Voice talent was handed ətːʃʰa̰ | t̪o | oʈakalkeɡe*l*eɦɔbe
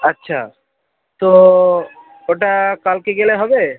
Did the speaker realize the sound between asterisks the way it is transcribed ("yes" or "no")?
yes